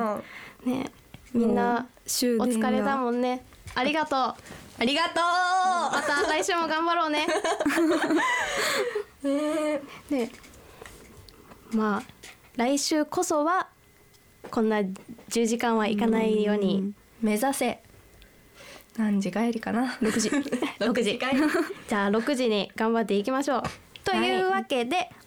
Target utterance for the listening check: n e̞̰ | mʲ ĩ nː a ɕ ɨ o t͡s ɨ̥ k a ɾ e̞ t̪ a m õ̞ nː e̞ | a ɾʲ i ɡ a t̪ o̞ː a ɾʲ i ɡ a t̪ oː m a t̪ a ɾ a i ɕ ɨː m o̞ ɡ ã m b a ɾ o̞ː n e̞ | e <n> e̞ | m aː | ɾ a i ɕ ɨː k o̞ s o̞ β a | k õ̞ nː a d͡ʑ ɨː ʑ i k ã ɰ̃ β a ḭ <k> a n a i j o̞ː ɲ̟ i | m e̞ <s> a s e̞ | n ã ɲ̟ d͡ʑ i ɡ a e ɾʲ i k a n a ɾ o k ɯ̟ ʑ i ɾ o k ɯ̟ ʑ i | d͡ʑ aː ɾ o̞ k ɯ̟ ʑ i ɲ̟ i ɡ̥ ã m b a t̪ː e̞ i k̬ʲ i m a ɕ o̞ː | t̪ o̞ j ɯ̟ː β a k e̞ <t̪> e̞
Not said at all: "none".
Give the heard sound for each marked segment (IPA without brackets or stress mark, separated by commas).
n, k, z, d̪